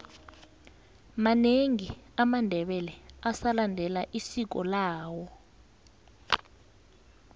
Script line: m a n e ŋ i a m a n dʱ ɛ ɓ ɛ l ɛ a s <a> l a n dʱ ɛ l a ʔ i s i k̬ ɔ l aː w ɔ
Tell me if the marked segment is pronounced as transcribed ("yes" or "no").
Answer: yes